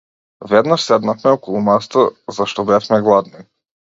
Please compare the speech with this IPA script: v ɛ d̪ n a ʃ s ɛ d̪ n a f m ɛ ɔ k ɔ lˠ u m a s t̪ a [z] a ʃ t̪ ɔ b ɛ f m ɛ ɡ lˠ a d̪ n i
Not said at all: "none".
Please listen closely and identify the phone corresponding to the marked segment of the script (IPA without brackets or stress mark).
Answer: z